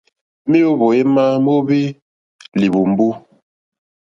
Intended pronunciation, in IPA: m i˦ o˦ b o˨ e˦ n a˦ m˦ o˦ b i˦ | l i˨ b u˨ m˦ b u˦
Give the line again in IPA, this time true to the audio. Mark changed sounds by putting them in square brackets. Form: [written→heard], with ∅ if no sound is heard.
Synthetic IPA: m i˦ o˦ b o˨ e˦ [n→m] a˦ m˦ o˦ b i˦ | l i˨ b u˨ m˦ b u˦